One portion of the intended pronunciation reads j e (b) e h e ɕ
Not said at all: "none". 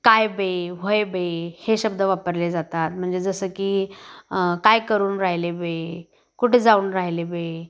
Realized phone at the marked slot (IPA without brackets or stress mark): b